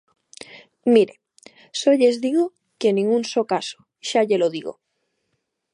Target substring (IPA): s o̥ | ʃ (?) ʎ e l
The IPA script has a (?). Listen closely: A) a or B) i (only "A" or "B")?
A